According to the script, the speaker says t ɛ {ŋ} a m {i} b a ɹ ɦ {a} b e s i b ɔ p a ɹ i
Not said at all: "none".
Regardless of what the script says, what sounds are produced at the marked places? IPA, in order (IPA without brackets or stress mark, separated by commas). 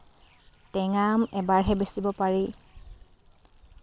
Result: ŋ, ɛ, ɛ